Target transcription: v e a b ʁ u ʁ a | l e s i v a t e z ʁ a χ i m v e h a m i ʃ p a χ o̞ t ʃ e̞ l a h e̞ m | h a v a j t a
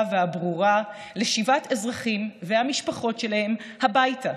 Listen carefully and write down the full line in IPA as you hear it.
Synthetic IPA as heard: v e a b ʁ u ʁ a | l e ʃ i v a t e z ʁ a χ i m v e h a m i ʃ p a χ o̞ t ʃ e̞ l a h e̞ m | h a b a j t a